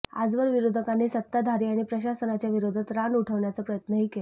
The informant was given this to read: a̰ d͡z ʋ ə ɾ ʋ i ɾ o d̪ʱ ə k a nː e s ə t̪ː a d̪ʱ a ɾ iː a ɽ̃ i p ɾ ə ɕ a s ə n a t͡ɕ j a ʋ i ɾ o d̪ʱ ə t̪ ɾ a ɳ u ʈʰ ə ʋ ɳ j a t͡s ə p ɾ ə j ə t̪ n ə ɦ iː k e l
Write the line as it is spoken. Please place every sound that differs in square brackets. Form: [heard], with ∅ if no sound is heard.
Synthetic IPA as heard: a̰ d͡z ʋ ə ɾ ʋ i ɾ o d̪ʱ ə k a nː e s ə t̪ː a d̪ʱ a ɾ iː a ɽ̃ i p ɾ ə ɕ a s ə n a t͡ɕ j a ʋ i ɾ o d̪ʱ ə t̪ ɾ a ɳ u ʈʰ ə ʋ ɳ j a t͡s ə p ɾ ə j ə t̪ n ə ɦ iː k e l